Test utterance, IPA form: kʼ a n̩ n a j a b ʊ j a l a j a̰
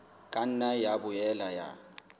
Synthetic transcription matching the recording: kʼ a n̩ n a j a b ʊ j ɛ l a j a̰